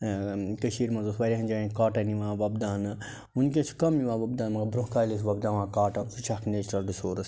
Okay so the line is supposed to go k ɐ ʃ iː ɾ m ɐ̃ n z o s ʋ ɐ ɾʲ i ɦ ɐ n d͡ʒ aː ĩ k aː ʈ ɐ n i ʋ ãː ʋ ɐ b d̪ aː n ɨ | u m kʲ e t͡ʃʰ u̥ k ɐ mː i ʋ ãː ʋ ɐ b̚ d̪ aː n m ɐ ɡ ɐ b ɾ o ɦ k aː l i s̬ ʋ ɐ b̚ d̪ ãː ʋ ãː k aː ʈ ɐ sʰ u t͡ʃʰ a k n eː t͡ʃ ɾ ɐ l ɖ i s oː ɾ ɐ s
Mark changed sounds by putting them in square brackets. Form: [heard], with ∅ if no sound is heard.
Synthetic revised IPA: k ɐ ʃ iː ɾ m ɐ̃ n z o s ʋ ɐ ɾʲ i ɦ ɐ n d͡ʒ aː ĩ k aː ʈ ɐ n i ʋ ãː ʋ ɐ b d̪ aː n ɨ | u [n] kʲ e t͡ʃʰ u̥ k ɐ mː i ʋ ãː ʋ ɐ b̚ d̪ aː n m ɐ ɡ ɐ b ɾ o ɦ k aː l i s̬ ʋ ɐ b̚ d̪ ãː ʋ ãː k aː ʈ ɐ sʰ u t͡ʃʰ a k n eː t͡ʃ ɾ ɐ l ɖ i s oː ɾ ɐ s